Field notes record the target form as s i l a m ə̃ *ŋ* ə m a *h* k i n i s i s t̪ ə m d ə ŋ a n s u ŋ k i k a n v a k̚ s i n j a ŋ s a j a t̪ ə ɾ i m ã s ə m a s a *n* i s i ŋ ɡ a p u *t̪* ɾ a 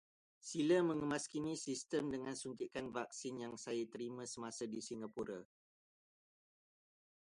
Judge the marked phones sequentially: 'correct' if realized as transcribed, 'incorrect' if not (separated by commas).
correct, incorrect, incorrect, incorrect